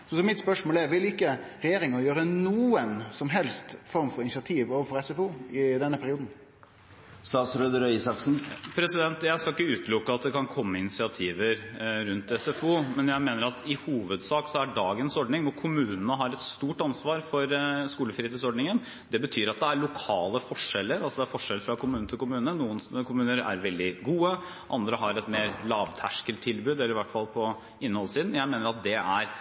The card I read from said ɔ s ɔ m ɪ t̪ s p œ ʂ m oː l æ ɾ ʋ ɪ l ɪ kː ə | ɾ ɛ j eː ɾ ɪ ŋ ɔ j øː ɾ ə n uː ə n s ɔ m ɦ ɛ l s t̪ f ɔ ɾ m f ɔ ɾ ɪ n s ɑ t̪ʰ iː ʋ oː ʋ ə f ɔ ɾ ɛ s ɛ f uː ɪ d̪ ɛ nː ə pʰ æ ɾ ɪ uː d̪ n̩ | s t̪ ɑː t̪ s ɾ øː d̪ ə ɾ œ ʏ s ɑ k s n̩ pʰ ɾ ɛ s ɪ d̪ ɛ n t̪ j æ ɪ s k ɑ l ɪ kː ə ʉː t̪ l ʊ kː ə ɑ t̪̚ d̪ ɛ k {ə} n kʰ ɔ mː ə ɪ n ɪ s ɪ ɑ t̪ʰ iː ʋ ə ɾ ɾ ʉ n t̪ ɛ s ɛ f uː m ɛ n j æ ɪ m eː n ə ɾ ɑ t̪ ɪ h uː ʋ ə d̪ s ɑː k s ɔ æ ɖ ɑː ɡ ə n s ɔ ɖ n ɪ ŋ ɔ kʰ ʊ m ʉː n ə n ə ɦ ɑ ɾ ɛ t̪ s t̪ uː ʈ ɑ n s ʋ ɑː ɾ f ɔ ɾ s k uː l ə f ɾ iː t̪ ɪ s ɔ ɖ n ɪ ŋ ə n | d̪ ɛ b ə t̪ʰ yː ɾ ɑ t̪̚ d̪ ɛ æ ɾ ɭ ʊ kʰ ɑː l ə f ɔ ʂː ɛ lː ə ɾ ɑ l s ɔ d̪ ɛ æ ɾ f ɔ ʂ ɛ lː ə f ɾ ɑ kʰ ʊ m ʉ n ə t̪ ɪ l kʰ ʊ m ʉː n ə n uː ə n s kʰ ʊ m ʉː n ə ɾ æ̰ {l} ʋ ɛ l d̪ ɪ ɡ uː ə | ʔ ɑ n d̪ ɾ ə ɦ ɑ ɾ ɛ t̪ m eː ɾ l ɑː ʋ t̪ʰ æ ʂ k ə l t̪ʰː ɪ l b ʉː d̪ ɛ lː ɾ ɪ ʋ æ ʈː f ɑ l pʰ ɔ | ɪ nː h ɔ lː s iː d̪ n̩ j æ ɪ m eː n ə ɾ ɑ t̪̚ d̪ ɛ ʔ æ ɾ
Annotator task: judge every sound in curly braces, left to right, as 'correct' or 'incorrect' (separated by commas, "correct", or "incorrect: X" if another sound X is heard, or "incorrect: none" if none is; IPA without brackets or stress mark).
incorrect: ɑ, incorrect: ɾ